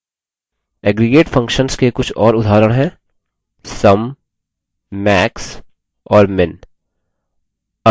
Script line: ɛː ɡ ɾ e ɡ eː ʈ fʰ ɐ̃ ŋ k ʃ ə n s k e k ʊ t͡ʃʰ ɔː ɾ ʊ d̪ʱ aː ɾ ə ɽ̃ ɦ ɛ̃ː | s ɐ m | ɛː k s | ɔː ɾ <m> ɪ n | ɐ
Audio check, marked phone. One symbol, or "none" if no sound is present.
m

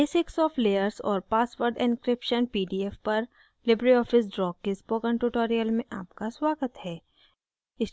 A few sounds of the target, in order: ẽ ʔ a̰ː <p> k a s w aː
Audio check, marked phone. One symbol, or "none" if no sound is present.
p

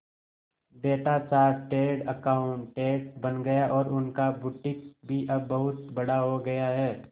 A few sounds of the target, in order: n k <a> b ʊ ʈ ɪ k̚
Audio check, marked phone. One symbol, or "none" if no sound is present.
a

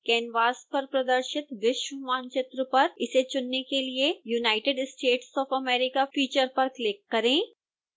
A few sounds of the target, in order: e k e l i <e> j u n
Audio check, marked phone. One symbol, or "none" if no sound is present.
e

